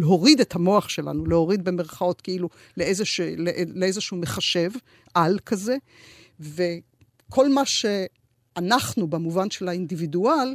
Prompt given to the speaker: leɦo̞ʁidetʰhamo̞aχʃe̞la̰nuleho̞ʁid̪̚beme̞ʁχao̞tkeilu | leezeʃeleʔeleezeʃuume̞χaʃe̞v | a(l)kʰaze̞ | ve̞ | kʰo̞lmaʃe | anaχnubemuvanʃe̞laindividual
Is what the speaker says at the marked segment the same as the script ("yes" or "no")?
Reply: yes